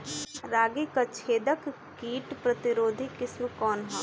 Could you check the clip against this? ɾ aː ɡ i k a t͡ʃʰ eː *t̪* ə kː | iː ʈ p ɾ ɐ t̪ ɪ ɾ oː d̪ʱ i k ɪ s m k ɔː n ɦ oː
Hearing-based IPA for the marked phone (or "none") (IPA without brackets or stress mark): d̪